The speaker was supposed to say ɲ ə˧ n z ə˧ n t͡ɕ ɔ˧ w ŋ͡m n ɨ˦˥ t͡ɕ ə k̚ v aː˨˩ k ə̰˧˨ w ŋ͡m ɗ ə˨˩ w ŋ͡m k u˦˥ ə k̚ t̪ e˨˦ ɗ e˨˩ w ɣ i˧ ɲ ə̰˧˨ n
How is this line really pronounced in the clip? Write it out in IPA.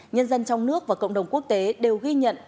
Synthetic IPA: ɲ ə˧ n z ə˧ n t͡ɕ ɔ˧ w ŋ͡m n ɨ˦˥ ə k̚ v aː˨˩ k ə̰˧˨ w ŋ͡m ɗ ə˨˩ w ŋ͡m k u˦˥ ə k̚ t̪ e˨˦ ɗ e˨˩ w ɣ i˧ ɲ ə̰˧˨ n